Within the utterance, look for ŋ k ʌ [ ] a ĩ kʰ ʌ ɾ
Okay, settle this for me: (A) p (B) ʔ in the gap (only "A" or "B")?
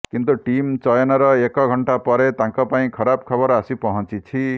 A